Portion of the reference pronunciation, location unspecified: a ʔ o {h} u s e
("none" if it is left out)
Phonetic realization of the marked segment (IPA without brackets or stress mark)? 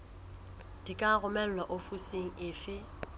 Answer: f